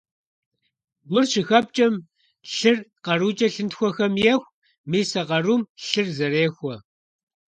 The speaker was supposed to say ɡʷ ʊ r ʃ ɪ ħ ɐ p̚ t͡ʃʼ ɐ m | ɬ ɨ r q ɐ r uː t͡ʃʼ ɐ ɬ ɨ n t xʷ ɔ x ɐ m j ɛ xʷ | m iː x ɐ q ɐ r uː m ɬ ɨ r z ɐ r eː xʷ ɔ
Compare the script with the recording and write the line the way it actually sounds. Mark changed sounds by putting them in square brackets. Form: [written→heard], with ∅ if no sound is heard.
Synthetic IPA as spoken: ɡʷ ʊ r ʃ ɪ [ħ→x] ɐ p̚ t͡ʃʼ ɐ m | ɬ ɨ r q ɐ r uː t͡ʃʼ ɐ ɬ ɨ n t xʷ ɔ x ɐ m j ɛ xʷ | m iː [x→s] ɐ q ɐ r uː m ɬ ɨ r z ɐ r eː xʷ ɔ

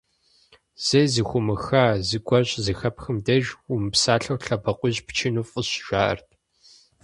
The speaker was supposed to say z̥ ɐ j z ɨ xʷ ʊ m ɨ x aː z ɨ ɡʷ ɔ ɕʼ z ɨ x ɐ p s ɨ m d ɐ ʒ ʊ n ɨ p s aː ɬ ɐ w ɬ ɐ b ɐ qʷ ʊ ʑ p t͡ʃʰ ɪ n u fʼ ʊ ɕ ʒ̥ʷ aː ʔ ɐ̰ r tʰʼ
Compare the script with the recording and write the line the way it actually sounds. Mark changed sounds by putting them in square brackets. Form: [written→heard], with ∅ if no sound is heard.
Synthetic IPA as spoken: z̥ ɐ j z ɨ xʷ ʊ m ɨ x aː z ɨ ɡʷ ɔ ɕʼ z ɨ x ɐ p [s→x] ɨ m d ɐ ʒ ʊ [n→m] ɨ p s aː ɬ ɐ w ɬ ɐ b ɐ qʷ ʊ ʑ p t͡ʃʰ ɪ n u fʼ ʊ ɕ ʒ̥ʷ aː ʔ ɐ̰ r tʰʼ

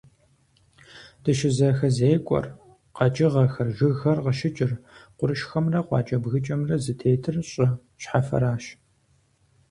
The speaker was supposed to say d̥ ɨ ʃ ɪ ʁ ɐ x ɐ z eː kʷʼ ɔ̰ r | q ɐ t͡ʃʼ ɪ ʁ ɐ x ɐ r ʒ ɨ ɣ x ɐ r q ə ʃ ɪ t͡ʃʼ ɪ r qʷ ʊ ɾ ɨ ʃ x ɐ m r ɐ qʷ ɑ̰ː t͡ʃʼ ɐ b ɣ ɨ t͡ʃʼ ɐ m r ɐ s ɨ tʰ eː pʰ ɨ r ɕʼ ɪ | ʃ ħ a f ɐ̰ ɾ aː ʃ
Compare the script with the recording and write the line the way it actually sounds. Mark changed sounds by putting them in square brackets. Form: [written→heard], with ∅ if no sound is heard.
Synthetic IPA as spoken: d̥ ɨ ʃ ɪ [ʁ→z] ɐ x ɐ z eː kʷʼ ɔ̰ r | q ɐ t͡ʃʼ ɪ ʁ ɐ x ɐ r ʒ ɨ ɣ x ɐ r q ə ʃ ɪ t͡ʃʼ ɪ r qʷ ʊ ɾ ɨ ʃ x ɐ m r ɐ qʷ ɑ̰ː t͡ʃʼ ɐ b ɣ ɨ t͡ʃʼ ɐ m r ɐ [s→z] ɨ tʰ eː [pʰ→tʰ] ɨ r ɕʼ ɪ | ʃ ħ a f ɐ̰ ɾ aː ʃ

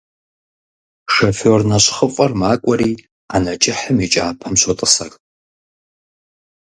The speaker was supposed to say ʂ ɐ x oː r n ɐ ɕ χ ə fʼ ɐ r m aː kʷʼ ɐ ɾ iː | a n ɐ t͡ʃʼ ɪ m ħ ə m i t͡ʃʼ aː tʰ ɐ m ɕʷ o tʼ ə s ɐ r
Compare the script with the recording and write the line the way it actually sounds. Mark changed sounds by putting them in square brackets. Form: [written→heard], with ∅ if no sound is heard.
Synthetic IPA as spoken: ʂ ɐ [x→f] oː r n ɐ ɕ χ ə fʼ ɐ r m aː kʷʼ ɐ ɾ iː | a n ɐ t͡ʃʼ ɪ [m→∅] ħ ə m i t͡ʃʼ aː [tʰ→pʰ] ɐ m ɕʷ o tʼ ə s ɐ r

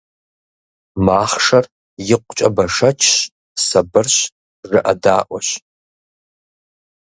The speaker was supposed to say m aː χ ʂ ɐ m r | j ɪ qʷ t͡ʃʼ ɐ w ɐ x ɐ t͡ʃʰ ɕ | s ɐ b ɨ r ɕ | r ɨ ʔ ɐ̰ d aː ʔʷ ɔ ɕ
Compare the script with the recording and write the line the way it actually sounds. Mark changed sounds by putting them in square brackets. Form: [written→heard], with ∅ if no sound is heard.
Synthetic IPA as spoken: m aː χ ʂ ɐ [m→∅] r | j ɪ qʷ t͡ʃʼ ɐ [w→b] ɐ [x→ʂ] ɐ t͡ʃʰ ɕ | s ɐ b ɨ r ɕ | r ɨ ʔ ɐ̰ d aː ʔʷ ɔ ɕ

